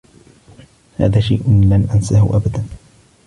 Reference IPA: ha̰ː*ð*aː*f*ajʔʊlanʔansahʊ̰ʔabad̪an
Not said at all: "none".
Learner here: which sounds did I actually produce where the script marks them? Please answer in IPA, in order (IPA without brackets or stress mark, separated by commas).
ð, ʃ